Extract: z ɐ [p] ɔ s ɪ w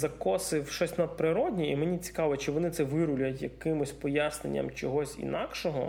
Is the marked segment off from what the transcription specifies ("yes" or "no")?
yes